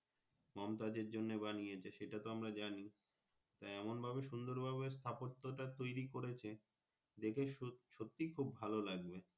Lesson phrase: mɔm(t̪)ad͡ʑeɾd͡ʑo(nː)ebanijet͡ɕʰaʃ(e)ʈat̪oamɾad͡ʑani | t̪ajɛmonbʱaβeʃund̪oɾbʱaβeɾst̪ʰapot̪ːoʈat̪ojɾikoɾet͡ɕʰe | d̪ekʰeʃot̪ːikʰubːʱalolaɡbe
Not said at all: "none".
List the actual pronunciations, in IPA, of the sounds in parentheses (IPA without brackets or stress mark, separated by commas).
t̪, nː, e